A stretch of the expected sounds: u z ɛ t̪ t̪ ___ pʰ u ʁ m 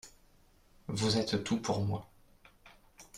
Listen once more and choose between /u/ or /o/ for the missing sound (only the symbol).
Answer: u